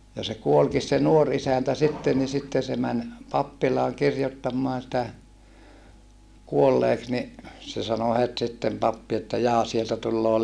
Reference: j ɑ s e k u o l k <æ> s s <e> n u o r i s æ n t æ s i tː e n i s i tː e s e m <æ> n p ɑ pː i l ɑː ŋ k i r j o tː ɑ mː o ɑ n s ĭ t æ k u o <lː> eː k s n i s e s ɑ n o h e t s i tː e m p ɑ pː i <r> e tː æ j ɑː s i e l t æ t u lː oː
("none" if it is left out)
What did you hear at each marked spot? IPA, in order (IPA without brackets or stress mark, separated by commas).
i, e, æ, lː, none